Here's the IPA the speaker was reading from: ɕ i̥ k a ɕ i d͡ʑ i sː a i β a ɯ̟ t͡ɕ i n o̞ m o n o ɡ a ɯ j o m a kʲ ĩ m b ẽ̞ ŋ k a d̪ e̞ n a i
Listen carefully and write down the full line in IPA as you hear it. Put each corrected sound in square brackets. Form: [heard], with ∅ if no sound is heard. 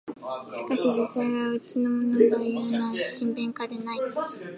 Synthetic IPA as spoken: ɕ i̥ k a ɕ i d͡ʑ i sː a i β a ɯ̟ t͡ɕ i n o̞ m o n o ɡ a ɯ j o [n] a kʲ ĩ m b ẽ̞ ŋ k a d̪ e̞ n a i